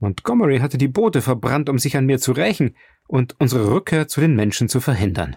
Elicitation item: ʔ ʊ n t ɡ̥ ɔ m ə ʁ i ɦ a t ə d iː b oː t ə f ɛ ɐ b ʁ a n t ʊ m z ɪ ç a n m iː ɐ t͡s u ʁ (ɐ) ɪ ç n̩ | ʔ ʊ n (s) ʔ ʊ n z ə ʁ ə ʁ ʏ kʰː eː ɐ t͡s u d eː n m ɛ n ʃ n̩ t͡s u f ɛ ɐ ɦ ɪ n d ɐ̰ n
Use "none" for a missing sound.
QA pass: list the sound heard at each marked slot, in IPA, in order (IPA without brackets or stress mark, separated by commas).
a, t